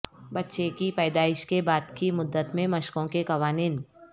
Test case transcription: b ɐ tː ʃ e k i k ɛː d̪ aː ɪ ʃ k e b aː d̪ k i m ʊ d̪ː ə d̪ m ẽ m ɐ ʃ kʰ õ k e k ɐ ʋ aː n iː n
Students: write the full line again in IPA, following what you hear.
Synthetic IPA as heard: b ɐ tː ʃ e k i p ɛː d̪ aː ɪ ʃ k e b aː d̪ k i m ʊ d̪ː ə t̪ m ẽ m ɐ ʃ k õ k e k ɐ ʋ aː n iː n